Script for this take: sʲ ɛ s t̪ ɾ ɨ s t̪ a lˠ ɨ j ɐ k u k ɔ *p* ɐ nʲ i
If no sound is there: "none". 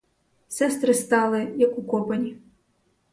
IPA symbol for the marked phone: p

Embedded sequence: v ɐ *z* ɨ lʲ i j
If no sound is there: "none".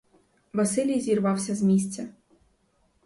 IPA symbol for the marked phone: s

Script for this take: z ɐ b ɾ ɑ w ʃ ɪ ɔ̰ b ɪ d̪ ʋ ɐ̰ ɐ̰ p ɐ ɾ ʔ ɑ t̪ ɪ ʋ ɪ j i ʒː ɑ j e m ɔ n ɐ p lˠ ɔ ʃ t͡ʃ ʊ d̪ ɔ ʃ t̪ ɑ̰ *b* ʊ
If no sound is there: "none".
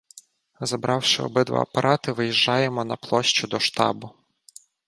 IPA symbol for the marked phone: b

